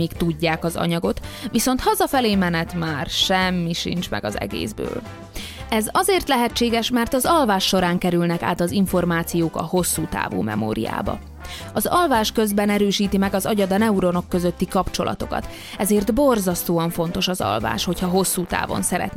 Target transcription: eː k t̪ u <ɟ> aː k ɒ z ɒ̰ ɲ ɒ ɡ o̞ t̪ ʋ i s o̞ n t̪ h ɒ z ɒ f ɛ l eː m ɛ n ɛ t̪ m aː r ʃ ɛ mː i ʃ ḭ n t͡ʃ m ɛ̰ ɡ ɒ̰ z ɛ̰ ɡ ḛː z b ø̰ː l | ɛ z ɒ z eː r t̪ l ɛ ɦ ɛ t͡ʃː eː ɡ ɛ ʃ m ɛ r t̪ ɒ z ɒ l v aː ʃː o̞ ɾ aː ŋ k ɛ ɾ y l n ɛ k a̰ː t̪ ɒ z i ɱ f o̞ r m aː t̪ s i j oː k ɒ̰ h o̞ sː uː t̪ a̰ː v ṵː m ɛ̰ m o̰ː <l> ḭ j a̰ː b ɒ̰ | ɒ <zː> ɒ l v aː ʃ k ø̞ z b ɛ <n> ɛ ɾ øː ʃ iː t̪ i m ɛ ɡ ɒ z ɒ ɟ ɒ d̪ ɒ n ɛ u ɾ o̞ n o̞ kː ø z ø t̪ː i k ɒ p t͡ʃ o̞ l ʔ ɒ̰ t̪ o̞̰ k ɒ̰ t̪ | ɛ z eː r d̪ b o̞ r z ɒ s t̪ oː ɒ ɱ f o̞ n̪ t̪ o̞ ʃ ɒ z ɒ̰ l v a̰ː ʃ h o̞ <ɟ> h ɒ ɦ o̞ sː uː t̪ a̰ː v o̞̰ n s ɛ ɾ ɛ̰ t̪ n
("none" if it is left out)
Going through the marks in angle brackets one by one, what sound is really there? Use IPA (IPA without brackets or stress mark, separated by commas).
ɟː, ɾ, z, n, c